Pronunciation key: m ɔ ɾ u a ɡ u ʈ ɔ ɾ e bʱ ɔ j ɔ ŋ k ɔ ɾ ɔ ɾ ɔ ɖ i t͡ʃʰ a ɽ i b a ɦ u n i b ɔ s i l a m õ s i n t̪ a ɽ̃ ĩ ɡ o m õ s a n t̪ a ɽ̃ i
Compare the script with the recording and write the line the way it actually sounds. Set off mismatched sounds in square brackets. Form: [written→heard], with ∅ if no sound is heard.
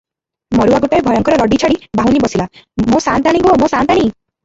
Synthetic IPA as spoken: m ɔ ɾ u a ɡ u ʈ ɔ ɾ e bʱ ɔ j ɔ ŋ k ɔ ɾ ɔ ɾ ɔ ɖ i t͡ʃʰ a ɽ i b a ɦ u n i b ɔ s i l a m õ s [i→a] n t̪ a ɽ̃ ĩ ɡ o m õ s a n t̪ a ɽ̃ i